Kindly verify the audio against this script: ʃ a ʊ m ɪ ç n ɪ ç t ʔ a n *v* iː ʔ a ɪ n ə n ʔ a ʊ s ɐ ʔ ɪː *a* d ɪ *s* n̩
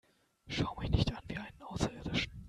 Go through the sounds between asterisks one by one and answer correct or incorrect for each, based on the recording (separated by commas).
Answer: correct, incorrect, incorrect